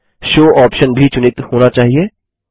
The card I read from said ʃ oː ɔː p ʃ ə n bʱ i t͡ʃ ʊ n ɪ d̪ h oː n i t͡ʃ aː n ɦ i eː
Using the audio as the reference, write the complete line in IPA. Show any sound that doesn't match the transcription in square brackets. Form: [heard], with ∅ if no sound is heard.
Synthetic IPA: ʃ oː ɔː p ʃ ə n bʱ i t͡ʃ ʊ n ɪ [t̪] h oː n [a] t͡ʃ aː [∅] ɦ i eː